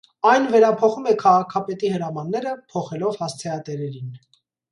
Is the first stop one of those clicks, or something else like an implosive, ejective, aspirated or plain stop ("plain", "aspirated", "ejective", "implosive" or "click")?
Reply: aspirated